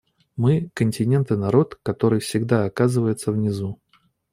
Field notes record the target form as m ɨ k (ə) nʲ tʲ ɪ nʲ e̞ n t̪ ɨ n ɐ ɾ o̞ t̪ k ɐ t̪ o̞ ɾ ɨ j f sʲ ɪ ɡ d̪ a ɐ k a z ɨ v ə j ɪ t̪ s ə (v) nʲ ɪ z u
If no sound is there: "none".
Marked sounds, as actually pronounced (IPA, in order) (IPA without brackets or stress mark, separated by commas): ə, v